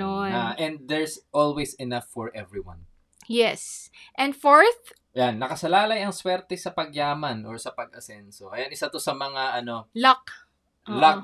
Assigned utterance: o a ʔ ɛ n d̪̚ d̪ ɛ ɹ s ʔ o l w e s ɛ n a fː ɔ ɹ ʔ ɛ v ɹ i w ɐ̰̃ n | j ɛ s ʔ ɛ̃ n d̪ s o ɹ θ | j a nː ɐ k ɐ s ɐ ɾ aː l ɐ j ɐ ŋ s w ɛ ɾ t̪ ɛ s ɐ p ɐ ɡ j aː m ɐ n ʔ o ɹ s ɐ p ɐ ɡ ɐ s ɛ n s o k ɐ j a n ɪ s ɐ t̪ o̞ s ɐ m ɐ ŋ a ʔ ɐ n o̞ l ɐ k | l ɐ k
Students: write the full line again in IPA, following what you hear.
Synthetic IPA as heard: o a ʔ ɛ n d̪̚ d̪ ɛ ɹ s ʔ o l w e s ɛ n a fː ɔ ɹ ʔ ɛ v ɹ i w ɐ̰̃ n | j ɛ s ʔ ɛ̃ n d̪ f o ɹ θ | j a nː ɐ k ɐ s ɐ l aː l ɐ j ɐ ŋ s w ɛ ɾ t̪ ɛ s ɐ p ɐ ɡ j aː m ɐ n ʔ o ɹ s ɐ p ɐ ɡ ɐ s ɛ n s o k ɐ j a n ɪ s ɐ t̪ o̞ s ɐ m ɐ ŋ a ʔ ɐ n o̞ l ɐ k | l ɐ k